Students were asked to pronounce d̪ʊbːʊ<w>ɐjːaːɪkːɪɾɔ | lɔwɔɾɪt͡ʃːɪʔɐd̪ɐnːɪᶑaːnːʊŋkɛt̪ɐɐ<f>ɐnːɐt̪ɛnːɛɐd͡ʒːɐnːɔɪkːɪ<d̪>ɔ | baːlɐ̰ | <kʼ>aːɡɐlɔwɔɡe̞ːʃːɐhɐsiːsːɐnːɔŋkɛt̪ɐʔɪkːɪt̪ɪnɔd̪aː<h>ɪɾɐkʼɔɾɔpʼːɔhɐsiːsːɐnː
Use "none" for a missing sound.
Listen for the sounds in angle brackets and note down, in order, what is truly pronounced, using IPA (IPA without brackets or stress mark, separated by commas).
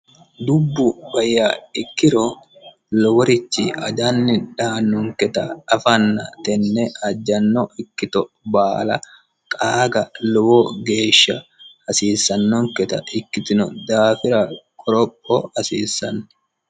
b, f, t̪, kʼ, f